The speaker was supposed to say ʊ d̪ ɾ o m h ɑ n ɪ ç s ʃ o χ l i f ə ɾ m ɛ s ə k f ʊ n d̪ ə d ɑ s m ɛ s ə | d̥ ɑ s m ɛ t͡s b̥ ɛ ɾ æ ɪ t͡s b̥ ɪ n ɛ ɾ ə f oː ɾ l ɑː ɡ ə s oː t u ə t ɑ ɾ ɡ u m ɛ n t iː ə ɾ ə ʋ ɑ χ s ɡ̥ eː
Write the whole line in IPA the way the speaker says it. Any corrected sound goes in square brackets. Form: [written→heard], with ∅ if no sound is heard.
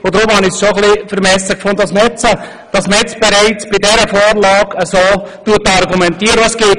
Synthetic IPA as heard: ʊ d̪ ɾ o m h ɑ n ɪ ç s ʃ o χ l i f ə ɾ m ɛ s ə k f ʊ n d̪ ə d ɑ s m ɛ [s→t͡s] ə | d̥ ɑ s m ɛ t͡s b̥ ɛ ɾ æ ɪ t͡s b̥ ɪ [n→d] ɛ ɾ ə f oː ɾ l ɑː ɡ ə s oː t u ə t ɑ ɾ ɡ u m ɛ n t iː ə ɾ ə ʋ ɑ [χ→∅] s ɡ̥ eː